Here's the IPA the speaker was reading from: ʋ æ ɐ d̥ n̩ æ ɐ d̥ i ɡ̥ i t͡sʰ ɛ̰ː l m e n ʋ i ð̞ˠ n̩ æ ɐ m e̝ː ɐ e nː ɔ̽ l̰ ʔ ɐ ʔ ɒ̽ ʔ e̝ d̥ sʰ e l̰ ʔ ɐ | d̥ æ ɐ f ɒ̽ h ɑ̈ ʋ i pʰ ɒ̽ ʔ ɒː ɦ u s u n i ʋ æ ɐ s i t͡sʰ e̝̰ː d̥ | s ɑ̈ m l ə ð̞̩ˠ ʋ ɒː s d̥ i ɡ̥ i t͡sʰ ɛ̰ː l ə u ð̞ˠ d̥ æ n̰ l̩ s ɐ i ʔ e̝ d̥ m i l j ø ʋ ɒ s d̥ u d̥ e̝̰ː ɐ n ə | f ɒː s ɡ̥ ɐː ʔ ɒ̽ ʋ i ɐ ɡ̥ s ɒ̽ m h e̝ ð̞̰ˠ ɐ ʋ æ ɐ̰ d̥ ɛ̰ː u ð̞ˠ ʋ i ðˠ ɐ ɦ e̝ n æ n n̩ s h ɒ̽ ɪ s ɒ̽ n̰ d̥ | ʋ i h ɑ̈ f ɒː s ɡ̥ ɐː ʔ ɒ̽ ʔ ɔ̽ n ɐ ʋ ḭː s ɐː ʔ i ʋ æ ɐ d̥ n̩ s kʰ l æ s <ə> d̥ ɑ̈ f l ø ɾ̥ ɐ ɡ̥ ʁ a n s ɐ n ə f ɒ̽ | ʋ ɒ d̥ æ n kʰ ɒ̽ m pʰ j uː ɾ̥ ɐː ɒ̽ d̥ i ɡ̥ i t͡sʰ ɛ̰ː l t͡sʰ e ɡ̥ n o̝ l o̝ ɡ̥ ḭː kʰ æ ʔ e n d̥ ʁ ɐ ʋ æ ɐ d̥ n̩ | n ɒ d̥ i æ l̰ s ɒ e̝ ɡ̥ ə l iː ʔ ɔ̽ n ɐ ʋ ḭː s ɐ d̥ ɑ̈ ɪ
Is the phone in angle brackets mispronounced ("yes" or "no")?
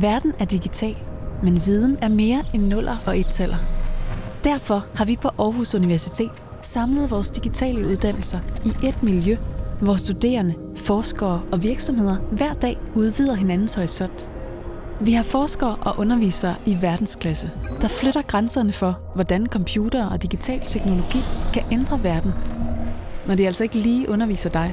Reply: no